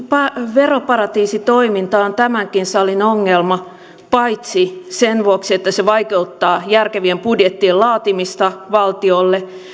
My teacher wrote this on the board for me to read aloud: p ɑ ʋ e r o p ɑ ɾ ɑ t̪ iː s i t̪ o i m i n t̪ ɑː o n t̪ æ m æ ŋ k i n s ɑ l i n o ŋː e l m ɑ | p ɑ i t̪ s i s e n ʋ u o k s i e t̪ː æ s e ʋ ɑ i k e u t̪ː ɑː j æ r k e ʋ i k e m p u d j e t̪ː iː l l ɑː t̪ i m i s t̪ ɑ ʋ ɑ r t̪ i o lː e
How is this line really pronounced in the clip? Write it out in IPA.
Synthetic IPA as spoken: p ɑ ʋ e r o p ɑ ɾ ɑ t̪ iː s i t̪ o i m i n t̪ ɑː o n t̪ æ m æ ŋ k i n s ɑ l i n o ŋː e l m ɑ | p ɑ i t̪ s i s e n ʋ u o k s i e t̪ː æ s e ʋ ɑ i k e u t̪ː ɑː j æ r k e ʋ i e m p u d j e t̪ː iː l l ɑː t̪ i m i s t̪ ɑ ʋ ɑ l t̪ i o lː e